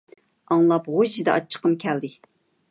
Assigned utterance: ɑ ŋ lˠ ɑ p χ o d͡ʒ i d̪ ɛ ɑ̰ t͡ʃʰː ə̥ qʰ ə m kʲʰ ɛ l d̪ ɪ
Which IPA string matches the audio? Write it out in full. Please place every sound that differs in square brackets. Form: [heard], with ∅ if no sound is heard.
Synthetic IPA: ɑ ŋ lˠ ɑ p [ʁ] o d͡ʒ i d̪ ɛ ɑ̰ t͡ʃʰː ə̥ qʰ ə m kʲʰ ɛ l d̪ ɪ